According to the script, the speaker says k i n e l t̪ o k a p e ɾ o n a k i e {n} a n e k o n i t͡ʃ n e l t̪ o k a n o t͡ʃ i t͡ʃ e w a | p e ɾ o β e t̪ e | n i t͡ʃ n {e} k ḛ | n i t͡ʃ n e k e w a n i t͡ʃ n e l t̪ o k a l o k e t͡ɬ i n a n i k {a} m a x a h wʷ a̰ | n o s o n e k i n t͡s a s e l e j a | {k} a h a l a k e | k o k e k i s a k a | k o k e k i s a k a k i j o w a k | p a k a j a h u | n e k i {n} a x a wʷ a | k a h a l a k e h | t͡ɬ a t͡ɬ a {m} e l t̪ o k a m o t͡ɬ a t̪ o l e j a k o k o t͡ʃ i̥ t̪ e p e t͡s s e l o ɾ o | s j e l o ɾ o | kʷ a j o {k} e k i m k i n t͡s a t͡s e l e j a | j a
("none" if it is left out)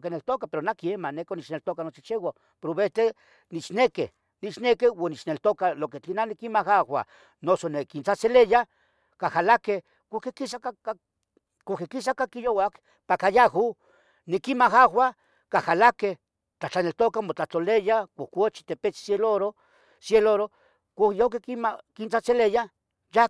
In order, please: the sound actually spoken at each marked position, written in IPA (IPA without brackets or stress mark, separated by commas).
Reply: m, e, i, k, m, n, k